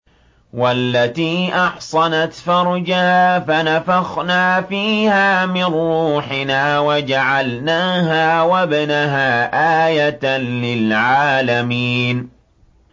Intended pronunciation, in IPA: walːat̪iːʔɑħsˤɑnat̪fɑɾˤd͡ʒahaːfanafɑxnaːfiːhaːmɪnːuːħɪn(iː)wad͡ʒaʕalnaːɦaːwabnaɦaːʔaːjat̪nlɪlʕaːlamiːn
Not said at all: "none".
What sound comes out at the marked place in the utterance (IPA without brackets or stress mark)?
aː